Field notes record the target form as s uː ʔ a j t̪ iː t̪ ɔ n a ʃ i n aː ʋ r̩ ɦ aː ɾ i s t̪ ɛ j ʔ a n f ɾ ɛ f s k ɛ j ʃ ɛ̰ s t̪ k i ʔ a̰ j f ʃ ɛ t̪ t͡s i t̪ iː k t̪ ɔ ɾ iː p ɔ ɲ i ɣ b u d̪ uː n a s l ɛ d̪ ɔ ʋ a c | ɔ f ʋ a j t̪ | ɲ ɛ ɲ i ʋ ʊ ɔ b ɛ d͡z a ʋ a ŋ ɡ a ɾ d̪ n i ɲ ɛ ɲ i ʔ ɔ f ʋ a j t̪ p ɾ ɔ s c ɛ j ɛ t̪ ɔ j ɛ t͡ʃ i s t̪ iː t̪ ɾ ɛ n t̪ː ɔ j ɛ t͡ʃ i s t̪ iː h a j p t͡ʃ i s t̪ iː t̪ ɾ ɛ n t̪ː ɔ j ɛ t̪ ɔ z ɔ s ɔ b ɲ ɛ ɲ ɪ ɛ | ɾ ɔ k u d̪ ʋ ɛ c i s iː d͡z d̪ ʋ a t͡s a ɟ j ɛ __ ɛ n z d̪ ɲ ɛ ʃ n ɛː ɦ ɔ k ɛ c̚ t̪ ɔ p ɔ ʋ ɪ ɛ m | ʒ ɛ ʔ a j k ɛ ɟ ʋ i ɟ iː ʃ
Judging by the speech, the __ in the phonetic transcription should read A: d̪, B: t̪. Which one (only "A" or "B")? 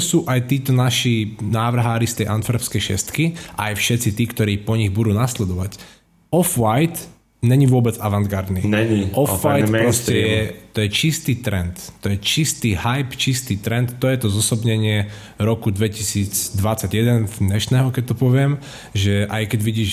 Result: A